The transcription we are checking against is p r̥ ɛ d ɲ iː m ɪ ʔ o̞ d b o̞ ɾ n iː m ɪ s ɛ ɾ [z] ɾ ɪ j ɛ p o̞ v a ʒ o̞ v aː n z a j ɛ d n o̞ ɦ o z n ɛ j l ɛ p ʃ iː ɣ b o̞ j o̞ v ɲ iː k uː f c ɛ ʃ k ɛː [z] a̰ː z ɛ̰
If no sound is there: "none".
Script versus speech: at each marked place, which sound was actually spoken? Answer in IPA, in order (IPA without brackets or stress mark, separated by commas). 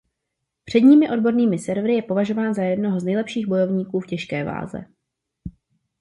v, v